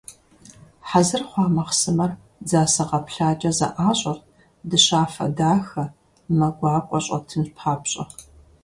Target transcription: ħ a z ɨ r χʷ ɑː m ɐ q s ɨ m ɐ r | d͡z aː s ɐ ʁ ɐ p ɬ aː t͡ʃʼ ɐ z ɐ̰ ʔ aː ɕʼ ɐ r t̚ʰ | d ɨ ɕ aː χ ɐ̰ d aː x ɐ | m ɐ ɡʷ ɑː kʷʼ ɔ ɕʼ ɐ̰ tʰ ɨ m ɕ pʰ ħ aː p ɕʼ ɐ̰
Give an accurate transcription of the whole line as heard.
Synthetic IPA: ħ a z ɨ r χʷ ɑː m ɐ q s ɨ m ɐ r | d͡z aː s ɐ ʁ ɐ p ɬ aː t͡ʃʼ ɐ z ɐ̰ ʔ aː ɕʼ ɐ r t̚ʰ | d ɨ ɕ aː f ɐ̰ d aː x ɐ | m ɐ ɡʷ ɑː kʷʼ ɔ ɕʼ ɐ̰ tʰ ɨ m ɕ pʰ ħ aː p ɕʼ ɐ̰